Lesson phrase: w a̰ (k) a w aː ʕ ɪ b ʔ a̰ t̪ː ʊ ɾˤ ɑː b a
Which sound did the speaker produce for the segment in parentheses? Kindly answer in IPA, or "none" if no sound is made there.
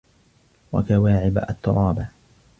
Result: k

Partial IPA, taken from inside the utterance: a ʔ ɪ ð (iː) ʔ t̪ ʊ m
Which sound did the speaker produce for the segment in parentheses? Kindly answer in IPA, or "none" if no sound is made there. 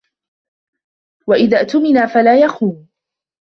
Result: aː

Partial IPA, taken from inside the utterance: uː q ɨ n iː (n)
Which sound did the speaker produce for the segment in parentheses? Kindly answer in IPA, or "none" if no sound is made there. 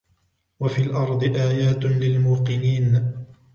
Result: n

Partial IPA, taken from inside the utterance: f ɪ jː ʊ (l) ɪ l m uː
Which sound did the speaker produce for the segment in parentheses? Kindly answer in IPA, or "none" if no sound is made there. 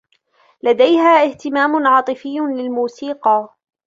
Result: l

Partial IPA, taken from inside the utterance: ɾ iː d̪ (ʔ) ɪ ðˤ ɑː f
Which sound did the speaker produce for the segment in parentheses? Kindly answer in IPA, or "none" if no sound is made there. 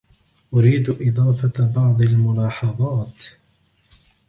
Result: ʔ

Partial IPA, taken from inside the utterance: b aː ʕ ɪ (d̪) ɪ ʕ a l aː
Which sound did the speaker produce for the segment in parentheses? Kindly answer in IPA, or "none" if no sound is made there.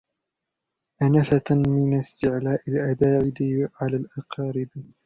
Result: d̪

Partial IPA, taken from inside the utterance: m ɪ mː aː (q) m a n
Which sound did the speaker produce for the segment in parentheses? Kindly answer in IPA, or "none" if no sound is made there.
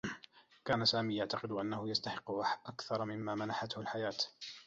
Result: none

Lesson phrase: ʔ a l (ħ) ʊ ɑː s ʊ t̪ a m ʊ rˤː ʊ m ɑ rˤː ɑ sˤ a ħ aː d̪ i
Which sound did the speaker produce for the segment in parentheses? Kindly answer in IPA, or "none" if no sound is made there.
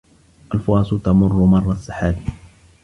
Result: f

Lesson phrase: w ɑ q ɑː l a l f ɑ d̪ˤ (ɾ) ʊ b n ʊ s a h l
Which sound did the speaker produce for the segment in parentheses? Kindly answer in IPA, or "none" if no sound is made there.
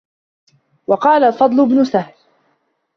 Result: l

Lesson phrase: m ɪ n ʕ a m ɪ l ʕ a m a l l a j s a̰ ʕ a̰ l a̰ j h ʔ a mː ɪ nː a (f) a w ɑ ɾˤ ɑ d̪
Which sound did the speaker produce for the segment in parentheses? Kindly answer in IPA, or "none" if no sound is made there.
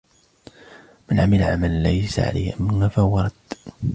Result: f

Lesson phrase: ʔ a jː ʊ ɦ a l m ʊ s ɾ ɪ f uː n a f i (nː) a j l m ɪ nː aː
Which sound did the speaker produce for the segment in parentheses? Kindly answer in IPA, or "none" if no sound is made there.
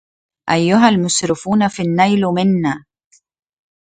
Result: nː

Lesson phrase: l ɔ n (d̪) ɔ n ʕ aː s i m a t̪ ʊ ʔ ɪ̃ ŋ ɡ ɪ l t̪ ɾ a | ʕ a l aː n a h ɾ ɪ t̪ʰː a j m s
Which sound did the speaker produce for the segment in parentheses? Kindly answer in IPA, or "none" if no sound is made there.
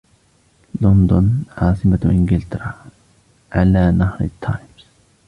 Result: d̪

